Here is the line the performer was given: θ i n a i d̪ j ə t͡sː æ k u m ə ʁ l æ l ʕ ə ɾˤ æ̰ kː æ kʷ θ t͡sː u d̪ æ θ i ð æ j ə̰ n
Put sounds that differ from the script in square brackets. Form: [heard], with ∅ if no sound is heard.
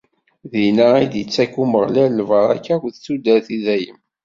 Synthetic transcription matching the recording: [ð] i n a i d̪ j ə t͡sː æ k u m ə ʁ l æ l [v] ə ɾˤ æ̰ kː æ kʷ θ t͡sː u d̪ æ θ i ð æ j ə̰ [m]

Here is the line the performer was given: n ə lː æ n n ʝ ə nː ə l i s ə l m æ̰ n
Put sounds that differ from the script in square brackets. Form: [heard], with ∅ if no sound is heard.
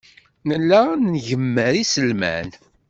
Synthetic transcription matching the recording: n ə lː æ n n ʝ ə [mː] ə [ɾ] i s ə l m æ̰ n

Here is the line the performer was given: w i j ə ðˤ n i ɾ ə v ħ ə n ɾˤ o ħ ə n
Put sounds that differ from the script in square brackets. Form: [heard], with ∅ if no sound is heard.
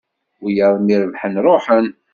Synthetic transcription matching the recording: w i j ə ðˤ [m] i ɾ ə v ħ ə n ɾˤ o ħ ə n

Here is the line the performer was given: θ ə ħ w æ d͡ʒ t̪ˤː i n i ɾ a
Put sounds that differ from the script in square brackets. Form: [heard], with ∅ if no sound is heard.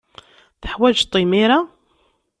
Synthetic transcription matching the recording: θ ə ħ w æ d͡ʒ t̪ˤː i [m] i ɾ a

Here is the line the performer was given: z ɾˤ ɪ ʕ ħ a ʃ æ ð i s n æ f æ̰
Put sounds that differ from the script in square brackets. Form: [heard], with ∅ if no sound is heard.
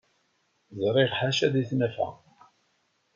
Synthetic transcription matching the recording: z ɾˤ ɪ [ʁ] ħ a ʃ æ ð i [θ] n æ f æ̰

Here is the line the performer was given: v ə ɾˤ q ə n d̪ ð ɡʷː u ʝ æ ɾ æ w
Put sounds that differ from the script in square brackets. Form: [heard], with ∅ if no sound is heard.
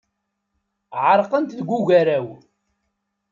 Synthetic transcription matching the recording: [ʕ] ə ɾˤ q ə n [t̪] ð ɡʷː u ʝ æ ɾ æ w

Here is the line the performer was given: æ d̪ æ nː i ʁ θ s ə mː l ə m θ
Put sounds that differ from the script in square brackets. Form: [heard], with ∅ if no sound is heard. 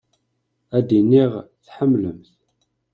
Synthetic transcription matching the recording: æ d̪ [i] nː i ʁ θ [ħ] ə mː l ə m θ

